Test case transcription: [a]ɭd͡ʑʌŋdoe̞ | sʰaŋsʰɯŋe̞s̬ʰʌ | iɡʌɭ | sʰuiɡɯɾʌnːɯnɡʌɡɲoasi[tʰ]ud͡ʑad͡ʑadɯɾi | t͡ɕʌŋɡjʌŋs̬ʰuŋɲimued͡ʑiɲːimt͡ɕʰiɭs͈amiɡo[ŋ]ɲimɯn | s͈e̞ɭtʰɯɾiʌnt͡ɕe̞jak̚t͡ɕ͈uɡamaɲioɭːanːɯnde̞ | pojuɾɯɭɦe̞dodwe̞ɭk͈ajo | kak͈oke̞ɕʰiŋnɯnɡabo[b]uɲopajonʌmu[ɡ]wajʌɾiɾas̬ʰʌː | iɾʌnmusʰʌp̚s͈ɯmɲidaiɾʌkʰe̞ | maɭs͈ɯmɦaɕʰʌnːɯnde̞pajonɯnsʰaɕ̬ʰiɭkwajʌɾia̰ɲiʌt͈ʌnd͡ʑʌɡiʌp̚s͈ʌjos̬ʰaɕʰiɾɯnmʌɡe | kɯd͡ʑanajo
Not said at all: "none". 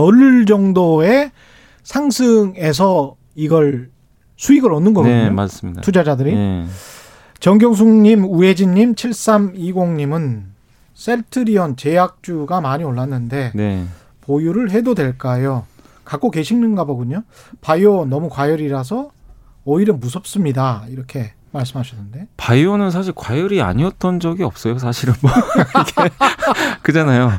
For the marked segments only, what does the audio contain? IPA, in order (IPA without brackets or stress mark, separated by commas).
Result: ʌ, tʰ, ŋ, ɡ, k